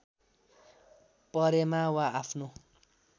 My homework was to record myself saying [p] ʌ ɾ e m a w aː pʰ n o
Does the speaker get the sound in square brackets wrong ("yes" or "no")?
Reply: no